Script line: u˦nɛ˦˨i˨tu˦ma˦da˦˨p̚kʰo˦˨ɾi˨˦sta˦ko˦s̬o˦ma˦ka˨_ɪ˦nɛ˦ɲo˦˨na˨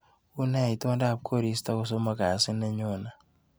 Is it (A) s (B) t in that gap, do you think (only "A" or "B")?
A